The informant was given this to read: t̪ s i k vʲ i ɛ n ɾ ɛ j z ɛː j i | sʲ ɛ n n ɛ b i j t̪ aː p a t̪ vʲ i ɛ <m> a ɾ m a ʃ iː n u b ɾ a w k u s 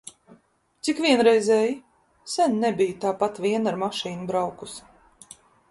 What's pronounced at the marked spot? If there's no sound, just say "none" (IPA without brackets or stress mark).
n